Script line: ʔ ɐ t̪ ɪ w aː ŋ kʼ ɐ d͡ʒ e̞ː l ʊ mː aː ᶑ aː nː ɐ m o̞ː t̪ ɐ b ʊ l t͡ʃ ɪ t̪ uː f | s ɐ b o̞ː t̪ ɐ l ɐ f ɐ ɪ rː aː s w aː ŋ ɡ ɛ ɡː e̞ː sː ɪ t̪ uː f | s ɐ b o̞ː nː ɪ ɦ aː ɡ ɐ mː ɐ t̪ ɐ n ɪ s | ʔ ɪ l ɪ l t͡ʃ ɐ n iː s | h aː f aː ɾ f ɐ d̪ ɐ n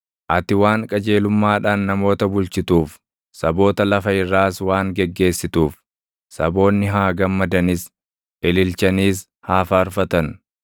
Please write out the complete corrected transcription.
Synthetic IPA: ʔ ɐ t̪ ɪ w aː ŋ kʼ ɐ d͡ʒ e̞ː l ʊ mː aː ᶑ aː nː ɐ m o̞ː t̪ ɐ b ʊ l t͡ʃ ɪ t̪ uː f | s ɐ b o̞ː t̪ ɐ l ɐ f ɐ ɪ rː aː s w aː ŋ ɡ ɛ ɡː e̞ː sː ɪ t̪ uː f | s ɐ b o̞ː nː ɪ ɦ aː ɡ ɐ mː ɐ d̪ ɐ n ɪ s | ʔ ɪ l ɪ l t͡ʃ ɐ n iː s | h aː f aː ɾ f ɐ t̪ ɐ n